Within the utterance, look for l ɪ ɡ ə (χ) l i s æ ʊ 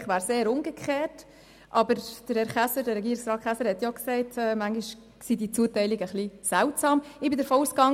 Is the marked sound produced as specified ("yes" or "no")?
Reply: yes